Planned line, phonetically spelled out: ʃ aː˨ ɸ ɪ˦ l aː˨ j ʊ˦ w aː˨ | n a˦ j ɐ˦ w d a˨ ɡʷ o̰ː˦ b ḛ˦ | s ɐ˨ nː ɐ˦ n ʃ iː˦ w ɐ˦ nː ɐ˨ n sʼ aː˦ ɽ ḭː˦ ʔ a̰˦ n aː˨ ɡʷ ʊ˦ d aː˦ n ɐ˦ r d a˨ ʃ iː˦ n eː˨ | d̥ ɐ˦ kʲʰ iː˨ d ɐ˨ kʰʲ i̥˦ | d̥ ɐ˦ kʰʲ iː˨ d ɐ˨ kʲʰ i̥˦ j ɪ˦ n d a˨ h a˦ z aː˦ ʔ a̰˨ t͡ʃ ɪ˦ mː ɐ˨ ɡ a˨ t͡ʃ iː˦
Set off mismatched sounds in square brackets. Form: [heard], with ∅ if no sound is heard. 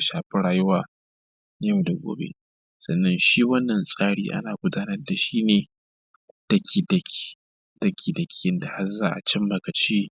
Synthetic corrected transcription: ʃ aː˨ ɸ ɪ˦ [ɽ] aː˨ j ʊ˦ w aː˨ | n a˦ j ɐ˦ w d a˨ ɡʷ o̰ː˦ b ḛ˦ | s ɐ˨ nː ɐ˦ n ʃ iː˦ w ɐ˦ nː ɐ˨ n sʼ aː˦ ɽ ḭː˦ ʔ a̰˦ n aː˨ ɡʷ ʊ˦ d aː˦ n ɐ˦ r d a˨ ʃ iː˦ n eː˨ | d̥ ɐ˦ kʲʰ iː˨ d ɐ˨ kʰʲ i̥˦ | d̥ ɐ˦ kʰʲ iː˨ d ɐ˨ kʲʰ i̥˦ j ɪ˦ n d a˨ h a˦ z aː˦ ʔ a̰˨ t͡ʃ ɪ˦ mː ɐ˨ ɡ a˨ t͡ʃ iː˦